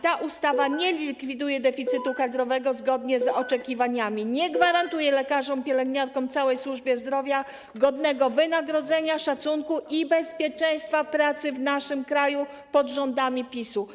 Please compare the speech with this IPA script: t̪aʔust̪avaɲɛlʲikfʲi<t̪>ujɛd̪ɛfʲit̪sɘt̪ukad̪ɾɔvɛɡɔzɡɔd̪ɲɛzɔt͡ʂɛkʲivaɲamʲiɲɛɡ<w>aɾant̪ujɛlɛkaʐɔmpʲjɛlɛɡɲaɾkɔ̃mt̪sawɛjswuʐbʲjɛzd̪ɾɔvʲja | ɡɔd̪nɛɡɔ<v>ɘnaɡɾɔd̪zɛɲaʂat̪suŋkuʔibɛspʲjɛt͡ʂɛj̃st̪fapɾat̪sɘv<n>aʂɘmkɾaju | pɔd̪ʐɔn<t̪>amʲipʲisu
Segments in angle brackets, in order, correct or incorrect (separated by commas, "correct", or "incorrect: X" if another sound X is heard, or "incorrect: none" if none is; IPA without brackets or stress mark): incorrect: d̪, incorrect: v, correct, correct, incorrect: d̪